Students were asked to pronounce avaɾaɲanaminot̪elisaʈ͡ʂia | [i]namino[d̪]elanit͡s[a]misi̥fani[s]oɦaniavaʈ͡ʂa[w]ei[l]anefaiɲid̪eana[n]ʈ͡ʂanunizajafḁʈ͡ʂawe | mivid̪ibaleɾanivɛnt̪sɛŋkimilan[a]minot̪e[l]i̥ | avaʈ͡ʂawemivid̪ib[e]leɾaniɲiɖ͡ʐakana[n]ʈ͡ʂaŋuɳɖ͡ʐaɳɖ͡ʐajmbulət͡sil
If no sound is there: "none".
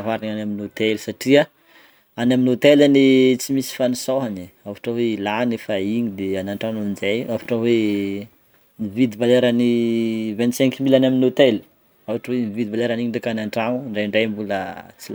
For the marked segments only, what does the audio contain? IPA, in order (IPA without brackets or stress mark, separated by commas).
a, t̪, i, s, w, l, ɳ, a, l, a, ɳ